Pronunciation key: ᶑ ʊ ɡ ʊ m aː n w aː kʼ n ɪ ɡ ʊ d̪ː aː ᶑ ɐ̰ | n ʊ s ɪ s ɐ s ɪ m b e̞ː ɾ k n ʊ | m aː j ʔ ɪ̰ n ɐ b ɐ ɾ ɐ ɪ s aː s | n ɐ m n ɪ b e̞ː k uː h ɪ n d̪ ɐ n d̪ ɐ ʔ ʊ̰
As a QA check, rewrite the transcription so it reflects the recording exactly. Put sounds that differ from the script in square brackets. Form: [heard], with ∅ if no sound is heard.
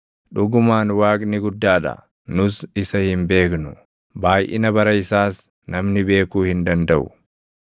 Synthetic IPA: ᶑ ʊ ɡ ʊ m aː n w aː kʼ n ɪ ɡ ʊ d̪ː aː ᶑ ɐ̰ | n ʊ s ɪ s ɐ [h] ɪ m b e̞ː [∅] k n ʊ | [b] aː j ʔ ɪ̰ n ɐ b ɐ ɾ ɐ ɪ s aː s | n ɐ m n ɪ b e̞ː k uː h ɪ n d̪ ɐ n d̪ ɐ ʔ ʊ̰